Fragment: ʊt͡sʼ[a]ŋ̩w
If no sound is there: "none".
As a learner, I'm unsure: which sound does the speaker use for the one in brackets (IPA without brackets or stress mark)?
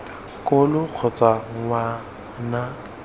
a